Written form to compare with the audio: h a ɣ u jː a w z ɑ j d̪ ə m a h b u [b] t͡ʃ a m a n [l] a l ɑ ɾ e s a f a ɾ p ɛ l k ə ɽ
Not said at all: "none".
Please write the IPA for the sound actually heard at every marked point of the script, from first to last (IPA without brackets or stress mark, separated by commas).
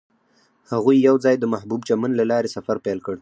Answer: b, l